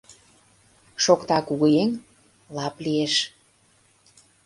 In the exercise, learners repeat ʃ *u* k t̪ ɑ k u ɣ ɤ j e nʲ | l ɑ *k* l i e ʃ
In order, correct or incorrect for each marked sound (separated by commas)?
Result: incorrect, incorrect